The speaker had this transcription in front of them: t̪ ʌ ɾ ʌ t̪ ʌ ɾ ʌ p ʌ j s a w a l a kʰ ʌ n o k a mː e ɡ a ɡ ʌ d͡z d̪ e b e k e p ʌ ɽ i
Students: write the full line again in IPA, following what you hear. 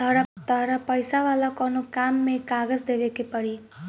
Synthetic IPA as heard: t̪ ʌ ɾ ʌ t̪ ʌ ɾ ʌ p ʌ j s a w a l a k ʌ n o k a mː e k a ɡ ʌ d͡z d̪ e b e k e p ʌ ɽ i